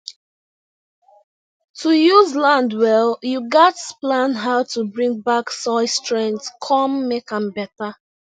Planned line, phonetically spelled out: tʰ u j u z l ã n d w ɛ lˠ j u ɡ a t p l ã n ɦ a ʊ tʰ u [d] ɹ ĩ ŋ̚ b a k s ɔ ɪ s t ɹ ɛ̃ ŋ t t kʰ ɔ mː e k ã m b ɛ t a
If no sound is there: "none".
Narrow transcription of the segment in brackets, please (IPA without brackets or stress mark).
b